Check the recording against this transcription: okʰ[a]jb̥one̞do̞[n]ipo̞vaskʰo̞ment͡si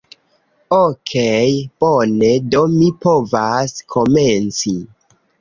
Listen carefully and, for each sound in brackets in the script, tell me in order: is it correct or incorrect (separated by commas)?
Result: incorrect, incorrect